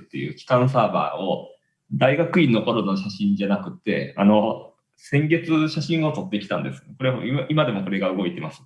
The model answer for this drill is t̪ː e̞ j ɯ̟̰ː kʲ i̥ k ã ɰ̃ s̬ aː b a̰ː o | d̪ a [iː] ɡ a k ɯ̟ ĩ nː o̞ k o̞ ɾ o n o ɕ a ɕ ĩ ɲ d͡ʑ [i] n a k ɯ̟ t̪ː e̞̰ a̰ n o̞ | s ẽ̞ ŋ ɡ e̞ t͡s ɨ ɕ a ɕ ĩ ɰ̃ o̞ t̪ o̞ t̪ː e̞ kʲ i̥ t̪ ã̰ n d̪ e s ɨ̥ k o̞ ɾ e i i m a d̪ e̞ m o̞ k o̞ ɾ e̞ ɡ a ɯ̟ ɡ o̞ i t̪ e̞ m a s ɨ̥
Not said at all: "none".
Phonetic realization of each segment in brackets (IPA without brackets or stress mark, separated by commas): i, a